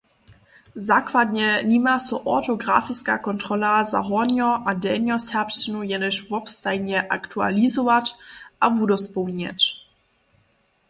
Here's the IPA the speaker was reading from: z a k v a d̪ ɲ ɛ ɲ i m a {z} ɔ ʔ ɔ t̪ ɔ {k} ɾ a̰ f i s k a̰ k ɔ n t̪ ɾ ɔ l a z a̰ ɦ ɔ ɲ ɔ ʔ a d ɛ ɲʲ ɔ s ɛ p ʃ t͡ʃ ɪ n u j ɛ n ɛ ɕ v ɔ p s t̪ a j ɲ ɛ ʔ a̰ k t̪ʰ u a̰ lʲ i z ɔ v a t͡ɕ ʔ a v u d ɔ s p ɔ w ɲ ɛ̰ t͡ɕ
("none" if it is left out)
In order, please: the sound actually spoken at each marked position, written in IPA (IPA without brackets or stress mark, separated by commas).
s, ɡ